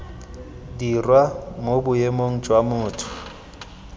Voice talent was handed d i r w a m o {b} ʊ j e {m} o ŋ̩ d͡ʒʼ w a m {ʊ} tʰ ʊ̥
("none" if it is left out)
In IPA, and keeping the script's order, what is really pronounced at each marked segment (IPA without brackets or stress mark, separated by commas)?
b, m, ʊː